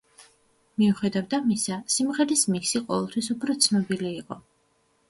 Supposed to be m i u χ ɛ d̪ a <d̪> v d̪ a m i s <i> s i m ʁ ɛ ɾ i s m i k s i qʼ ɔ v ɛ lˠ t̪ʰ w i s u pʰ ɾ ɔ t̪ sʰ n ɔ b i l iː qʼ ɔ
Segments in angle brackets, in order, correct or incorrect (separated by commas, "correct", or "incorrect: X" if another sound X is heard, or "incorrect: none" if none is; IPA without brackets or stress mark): incorrect: none, incorrect: a